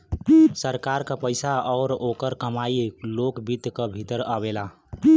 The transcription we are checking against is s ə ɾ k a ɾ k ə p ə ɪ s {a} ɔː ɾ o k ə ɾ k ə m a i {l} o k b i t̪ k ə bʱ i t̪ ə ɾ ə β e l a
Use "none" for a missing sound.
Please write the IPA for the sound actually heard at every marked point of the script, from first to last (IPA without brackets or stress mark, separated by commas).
a, l